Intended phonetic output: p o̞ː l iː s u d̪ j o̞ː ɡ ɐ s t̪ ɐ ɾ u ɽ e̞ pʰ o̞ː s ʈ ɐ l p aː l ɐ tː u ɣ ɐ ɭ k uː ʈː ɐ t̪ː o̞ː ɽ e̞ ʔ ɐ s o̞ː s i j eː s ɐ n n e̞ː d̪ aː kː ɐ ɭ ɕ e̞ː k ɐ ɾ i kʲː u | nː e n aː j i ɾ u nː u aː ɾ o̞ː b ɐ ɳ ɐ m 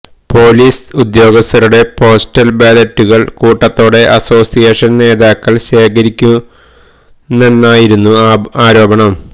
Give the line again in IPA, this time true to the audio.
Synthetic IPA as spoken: p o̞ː l iː s u d̪ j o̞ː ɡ ɐ s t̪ ɐ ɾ u ɽ e̞ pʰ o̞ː s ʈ ɐ l b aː l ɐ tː u ɣ ɐ ɭ k uː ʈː ɐ t̪ː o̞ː ɽ e̞ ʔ ɐ s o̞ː s i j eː ʂ ɐ n n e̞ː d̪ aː kː ɐ ɭ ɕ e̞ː k ɐ ɾ i kʲː u | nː e nː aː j i ɾ u nː u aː ɾ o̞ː b ɐ ɳ ɐ m